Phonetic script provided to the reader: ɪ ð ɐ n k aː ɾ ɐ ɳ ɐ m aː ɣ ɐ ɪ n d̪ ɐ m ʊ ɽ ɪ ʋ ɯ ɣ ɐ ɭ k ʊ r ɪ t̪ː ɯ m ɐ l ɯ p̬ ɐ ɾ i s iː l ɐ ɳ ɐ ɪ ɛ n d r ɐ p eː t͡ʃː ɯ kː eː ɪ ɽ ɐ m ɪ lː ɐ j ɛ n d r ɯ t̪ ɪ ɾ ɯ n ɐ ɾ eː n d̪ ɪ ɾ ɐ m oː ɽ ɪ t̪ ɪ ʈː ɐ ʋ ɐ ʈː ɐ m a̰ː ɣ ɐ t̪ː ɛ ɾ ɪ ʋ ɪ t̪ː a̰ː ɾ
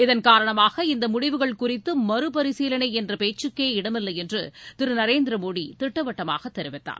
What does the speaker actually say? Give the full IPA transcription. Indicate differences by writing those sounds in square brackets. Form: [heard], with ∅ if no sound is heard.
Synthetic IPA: ɪ ð ɐ n k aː ɾ ɐ ɳ ɐ m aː ɣ ɐ ɪ n d̪ ɐ m ʊ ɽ ɪ ʋ ɯ ɣ ɐ ɭ k ʊ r ɪ t̪ː ɯ m ɐ [ɾ] ɯ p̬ ɐ ɾ [ɪ] s iː l ɐ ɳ ɐ ɪ ɛ n d r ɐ p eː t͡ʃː ɯ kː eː ɪ ɽ ɐ m ɪ lː ɐ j ɛ n d r ɯ t̪ ɪ ɾ ɯ n ɐ ɾ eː n d̪ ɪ ɾ ɐ m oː ɽ [i] t̪ ɪ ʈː ɐ ʋ ɐ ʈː ɐ m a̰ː ɣ ɐ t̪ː ɛ ɾ ɪ ʋ ɪ t̪ː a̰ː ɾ

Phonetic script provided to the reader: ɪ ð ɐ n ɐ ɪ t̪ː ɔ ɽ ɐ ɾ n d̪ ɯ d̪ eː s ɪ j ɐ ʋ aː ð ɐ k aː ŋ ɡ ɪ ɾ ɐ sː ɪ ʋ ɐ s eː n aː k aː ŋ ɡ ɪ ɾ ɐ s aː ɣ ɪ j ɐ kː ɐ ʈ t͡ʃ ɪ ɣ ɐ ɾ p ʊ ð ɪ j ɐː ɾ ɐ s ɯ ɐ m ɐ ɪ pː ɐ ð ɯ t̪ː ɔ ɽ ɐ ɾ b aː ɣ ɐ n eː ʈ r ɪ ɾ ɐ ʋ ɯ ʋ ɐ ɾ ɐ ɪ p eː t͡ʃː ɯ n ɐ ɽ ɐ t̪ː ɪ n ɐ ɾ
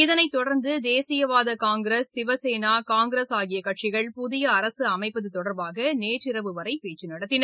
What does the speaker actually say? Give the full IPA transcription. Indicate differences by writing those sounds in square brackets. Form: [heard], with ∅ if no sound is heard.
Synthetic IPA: ɪ ð ɐ n ɐ ɪ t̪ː ɔ ɽ ɐ ɾ n d̪ ɯ d̪ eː s ɪ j ɐ ʋ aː ð ɐ k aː ŋ ɡ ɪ ɾ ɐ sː ɪ ʋ ɐ s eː n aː k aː ŋ ɡ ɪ ɾ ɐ s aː ɣ ɪ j ɐ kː ɐ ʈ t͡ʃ ɪ ɣ ɐ [ɭ] p ʊ ð ɪ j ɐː ɾ ɐ s ɯ ɐ m ɐ ɪ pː ɐ ð ɯ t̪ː ɔ ɽ ɐ ɾ b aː ɣ ɐ n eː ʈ r ɪ ɾ ɐ ʋ ɯ ʋ ɐ ɾ ɐ ɪ p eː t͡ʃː ɯ n ɐ ɽ ɐ t̪ː ɪ n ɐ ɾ

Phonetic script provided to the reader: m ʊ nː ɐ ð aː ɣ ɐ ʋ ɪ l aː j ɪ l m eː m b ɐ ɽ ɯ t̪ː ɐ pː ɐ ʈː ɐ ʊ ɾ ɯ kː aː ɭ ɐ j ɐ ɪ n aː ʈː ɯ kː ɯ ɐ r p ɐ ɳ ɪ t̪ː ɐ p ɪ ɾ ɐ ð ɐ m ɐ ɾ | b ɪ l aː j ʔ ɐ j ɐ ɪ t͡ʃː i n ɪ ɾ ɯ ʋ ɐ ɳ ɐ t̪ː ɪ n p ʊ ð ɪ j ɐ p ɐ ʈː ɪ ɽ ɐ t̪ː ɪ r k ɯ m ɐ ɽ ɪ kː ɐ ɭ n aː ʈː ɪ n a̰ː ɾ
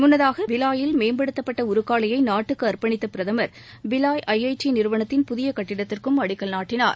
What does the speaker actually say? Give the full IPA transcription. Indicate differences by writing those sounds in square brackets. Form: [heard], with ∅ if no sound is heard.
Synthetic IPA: m ʊ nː ɐ ð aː ɣ ɐ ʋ ɪ l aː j ɪ l m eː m b ɐ ɽ ɯ t̪ː ɐ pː ɐ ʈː ɐ ʊ ɾ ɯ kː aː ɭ ɐ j ɐ ɪ n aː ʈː ɯ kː ɯ ɐ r p ɐ ɳ ɪ t̪ː ɐ p ɪ ɾ ɐ ð ɐ m ɐ ɾ | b ɪ l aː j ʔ ɐ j ɐ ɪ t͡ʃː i n ɪ ɾ ɯ ʋ ɐ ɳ ɐ t̪ː ɪ n p ʊ ð ɪ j ɐ [k] ɐ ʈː ɪ ɽ ɐ t̪ː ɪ r k ɯ m ɐ ɽ ɪ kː ɐ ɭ n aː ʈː ɪ n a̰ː ɾ

